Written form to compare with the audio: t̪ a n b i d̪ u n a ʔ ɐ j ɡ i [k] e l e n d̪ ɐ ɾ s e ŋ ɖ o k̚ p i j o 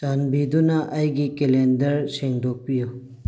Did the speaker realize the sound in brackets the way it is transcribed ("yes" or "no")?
yes